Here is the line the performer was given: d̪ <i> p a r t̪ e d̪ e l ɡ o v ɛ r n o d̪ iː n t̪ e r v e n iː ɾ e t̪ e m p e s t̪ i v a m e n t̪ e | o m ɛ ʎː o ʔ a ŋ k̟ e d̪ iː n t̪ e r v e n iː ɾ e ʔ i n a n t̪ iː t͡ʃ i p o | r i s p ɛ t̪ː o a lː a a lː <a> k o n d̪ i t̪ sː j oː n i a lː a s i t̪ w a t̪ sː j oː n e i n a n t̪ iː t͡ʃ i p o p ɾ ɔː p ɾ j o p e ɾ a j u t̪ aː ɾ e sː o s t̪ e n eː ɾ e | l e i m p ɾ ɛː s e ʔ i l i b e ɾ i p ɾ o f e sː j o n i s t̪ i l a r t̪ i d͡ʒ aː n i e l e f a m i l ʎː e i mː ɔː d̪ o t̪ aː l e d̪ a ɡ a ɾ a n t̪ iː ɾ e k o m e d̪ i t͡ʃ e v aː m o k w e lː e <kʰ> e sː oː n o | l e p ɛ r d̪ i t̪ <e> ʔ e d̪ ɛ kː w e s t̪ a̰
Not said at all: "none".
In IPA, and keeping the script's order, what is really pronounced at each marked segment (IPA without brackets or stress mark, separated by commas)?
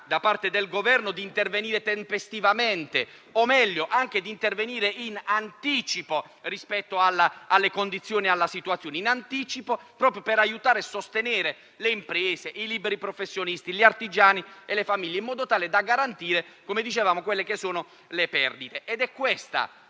a, e, k, e